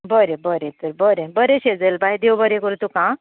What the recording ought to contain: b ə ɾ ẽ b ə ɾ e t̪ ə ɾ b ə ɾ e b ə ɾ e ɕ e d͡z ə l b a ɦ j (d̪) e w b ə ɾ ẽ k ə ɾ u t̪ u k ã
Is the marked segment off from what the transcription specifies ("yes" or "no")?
no